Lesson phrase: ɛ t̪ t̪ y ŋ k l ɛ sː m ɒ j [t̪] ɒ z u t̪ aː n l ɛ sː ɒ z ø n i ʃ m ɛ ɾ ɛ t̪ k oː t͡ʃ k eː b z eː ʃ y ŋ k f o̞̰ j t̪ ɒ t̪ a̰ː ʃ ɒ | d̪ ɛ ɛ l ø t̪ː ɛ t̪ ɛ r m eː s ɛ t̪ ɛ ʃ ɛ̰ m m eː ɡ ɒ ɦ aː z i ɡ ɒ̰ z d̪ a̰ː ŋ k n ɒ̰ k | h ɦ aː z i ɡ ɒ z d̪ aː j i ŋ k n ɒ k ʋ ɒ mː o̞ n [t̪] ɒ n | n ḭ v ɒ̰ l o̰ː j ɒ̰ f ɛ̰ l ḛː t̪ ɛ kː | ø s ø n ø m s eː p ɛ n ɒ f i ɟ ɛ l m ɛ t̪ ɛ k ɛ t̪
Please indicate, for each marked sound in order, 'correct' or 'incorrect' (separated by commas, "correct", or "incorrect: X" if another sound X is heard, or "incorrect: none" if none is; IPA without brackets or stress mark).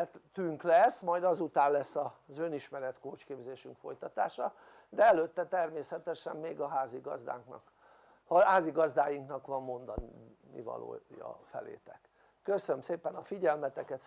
incorrect: d̪, incorrect: d̪